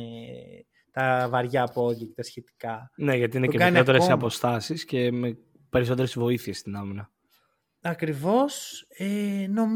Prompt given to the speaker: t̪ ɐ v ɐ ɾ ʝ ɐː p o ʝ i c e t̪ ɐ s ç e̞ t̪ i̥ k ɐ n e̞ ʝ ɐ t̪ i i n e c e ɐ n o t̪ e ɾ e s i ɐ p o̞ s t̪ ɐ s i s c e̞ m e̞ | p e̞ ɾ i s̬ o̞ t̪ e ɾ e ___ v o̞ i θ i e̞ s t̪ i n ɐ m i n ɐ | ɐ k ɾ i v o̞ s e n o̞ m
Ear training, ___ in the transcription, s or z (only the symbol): s